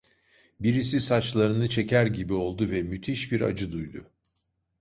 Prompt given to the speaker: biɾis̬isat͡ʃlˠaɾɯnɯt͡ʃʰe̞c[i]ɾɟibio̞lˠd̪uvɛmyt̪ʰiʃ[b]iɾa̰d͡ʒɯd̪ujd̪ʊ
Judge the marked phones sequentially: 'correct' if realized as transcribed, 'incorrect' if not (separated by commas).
incorrect, correct